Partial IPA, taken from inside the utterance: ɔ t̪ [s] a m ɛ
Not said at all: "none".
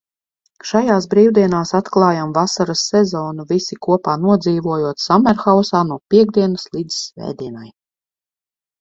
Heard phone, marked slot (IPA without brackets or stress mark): s